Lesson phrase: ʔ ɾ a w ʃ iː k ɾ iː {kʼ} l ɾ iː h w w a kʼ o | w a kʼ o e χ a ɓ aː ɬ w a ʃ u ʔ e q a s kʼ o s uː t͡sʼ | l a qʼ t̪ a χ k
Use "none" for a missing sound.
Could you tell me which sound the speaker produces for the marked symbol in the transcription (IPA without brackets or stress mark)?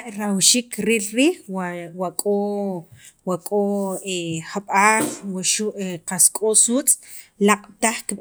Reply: none